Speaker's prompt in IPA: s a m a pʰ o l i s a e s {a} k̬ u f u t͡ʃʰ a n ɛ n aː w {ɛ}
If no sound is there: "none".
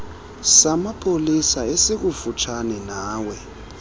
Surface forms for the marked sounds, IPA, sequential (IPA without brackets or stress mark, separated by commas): e, ɛ